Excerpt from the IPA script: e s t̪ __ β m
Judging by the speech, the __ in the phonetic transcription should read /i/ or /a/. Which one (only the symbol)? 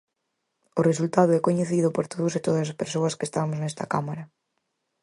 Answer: a